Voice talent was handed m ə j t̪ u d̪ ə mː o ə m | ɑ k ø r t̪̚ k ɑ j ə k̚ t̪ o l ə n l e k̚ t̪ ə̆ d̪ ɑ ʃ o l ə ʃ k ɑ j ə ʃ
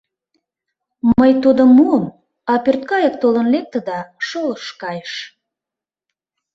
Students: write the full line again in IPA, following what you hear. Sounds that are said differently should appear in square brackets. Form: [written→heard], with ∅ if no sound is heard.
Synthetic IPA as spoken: m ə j t̪ u d̪ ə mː [o→u] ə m | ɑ [k→p] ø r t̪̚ k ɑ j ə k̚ t̪ o l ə n l e k̚ t̪ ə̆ d̪ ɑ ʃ o l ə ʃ k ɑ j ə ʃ